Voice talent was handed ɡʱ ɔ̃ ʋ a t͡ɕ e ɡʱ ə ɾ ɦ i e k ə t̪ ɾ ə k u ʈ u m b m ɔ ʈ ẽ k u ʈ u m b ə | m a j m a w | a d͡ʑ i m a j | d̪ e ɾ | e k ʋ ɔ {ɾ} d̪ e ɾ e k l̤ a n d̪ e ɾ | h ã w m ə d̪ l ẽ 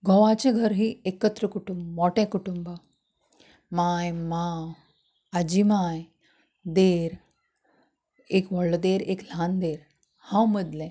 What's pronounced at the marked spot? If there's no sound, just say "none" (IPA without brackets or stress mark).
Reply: ɭ